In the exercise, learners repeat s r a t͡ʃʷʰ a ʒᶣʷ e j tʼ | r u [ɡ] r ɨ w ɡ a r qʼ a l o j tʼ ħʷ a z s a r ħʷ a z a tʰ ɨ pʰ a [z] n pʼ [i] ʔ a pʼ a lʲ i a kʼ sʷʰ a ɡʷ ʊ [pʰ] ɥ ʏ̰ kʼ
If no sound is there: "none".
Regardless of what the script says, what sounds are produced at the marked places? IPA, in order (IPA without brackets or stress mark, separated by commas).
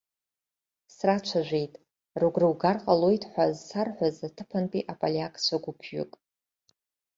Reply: ɡ, none, i, pʰ